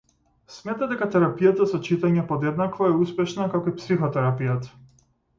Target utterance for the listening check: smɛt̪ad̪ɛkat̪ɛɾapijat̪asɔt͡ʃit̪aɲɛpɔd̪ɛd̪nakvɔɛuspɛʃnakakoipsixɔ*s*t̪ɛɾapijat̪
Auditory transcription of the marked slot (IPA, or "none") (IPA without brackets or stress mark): none